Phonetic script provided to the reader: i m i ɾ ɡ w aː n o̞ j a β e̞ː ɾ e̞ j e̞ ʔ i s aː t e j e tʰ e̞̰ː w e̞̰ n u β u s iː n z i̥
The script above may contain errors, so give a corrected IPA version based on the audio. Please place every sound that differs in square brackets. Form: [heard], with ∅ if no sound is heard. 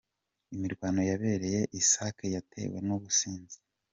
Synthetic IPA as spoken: i m i ɾ ɡ w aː n o̞ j a β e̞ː ɾ e̞ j e̞ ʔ i s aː [k] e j [a] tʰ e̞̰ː w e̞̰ n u β u s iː n z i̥